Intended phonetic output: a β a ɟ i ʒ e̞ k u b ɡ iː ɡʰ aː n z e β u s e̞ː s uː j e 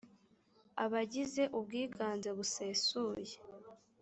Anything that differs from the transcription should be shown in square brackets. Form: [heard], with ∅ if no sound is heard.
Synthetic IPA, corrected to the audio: a β a ɟ i [z] e̞ [ʔ] u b ɡ iː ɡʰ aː n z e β u s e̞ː s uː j e